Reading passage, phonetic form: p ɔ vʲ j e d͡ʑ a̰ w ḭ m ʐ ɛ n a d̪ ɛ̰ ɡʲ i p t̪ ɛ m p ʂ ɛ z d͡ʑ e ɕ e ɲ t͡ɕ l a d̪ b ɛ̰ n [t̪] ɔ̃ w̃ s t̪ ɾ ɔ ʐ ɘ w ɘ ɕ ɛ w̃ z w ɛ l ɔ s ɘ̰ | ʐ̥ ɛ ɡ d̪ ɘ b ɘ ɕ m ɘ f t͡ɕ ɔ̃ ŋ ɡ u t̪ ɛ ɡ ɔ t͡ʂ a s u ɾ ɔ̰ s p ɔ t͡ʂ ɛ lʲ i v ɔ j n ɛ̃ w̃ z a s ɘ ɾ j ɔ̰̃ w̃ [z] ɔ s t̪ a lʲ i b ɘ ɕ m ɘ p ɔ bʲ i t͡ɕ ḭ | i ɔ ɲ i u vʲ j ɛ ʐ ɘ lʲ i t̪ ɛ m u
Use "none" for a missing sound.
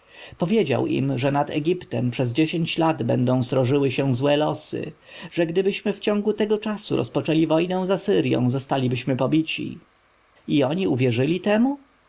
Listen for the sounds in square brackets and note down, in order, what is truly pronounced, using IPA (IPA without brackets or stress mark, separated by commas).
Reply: d̪, z